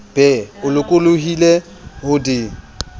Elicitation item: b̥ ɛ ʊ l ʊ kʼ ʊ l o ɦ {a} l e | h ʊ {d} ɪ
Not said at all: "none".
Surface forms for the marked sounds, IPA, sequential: i, d

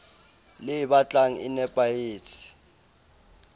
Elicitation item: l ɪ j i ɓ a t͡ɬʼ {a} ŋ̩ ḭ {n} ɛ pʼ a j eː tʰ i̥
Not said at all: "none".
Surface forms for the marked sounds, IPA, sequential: a, n

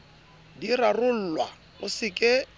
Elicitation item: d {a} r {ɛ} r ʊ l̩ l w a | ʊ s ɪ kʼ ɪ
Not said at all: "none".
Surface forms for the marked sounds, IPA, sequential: i, a

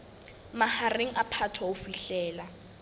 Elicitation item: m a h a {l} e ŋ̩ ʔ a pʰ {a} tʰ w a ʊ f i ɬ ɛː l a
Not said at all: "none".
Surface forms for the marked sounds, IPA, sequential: r, a

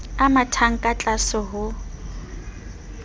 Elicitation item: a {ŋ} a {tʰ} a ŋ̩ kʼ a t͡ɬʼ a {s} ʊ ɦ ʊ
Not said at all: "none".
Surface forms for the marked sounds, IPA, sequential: m, tʰ, s

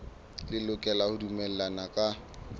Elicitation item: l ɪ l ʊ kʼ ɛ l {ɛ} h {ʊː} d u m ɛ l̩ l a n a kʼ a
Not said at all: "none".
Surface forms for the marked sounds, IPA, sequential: a, ʊ

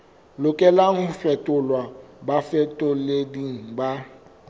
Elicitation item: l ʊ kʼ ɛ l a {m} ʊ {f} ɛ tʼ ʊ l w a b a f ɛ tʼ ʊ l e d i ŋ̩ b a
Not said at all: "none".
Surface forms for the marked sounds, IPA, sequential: ŋ, f

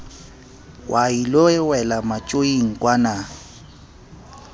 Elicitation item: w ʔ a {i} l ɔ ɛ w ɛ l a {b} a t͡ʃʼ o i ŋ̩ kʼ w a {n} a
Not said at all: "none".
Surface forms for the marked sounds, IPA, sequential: i, m, n

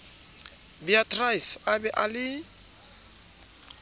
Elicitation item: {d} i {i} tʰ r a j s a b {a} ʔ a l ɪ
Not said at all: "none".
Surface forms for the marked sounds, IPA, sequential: b, a, ɛ

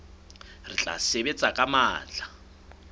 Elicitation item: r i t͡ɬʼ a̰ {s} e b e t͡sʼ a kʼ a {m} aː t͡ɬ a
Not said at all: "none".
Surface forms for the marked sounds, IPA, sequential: s, m

